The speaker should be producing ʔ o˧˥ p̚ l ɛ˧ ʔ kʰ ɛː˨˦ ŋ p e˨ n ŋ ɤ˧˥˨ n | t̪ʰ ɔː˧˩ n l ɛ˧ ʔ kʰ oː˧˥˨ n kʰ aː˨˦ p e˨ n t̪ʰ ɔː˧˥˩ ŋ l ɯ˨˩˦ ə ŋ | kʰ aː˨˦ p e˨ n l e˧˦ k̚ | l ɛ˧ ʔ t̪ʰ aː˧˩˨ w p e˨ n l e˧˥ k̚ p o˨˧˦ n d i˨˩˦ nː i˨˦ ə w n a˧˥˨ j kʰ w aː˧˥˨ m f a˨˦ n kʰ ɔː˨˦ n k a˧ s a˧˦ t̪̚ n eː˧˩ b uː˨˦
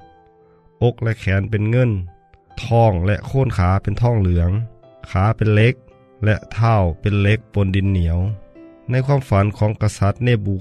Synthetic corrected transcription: ʔ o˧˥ k̚ l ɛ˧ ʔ kʰ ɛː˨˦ n p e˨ n ŋ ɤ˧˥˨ n | t̪ʰ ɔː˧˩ ŋ l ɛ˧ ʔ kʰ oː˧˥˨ n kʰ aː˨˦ p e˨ n t̪ʰ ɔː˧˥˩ ŋ l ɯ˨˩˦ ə ŋ | kʰ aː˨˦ p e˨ n l e˧˦ k̚ | l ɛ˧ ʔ t̪ʰ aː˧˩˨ w p e˨ n l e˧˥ k̚ p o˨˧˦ n d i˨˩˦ nː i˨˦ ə w n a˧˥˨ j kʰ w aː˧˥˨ m f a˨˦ n kʰ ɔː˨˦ ŋ k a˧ s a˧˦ t̪̚ n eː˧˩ b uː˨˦